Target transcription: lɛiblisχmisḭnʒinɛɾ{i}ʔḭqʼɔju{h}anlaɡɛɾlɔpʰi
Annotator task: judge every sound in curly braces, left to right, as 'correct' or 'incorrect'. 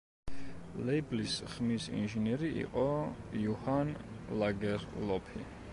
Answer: correct, correct

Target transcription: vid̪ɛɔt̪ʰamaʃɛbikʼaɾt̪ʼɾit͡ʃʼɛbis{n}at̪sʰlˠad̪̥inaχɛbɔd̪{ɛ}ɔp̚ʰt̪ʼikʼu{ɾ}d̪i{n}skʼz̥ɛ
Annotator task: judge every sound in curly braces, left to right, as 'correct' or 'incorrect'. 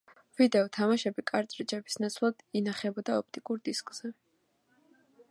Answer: correct, incorrect: a, correct, incorrect: none

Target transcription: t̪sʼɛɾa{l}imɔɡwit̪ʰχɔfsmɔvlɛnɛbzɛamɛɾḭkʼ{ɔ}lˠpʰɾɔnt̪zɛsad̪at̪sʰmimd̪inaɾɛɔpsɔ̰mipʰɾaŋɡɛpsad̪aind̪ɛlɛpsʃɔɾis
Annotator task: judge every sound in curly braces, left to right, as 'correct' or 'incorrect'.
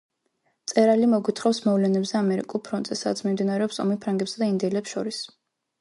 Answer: correct, incorrect: u

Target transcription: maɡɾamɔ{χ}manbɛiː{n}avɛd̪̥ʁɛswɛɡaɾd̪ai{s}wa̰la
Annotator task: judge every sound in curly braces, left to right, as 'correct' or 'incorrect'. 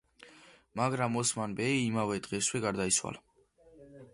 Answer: incorrect: s, incorrect: m, correct

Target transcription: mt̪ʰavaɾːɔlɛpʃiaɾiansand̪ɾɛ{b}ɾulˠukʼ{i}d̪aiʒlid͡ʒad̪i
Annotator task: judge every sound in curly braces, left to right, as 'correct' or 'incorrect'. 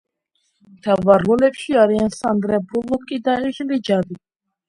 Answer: correct, correct

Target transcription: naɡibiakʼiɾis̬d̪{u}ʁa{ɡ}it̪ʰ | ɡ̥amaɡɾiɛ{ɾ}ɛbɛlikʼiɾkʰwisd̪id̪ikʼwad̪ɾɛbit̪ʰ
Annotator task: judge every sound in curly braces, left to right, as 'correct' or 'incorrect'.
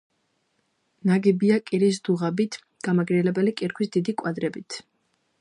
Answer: correct, incorrect: b, incorrect: l

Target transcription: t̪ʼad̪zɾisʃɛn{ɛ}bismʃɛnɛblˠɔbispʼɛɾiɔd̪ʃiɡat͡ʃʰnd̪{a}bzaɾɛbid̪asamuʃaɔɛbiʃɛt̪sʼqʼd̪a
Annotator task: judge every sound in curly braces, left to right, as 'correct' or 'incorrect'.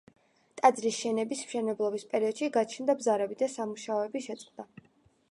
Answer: correct, correct

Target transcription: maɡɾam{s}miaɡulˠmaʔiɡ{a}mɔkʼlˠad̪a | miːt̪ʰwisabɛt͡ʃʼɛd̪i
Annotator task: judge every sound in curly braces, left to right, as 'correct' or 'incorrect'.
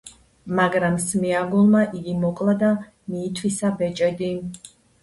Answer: correct, incorrect: i

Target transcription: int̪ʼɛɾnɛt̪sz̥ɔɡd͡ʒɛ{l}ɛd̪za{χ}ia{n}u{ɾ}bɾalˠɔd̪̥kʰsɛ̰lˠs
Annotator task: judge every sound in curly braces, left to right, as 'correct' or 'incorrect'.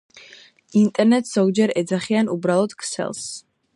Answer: incorrect: ɾ, correct, correct, incorrect: none

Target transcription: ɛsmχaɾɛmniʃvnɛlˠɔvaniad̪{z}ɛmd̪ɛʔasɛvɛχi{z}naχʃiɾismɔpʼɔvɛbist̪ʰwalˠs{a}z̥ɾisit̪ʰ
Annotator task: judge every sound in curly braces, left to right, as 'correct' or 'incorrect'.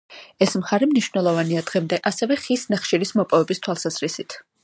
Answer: incorrect: ʁ, incorrect: s, correct

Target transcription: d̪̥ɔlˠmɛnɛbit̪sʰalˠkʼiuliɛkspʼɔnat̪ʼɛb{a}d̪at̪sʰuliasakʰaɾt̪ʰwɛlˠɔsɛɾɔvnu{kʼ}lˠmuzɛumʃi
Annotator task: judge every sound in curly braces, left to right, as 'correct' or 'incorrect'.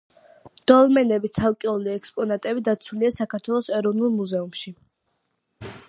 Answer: incorrect: i, incorrect: none

